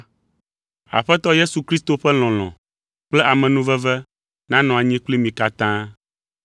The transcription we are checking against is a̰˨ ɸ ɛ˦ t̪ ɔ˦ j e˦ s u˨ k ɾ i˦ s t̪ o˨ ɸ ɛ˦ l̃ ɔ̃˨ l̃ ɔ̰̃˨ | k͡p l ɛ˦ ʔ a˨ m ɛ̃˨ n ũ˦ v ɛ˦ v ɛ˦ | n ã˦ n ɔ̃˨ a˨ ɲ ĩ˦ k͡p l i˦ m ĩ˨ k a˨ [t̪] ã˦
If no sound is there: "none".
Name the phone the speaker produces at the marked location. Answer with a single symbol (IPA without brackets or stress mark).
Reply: t̪